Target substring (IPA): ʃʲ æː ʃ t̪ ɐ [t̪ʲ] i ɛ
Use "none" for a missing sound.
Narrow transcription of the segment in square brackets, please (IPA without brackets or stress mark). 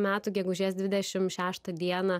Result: d̪ʲ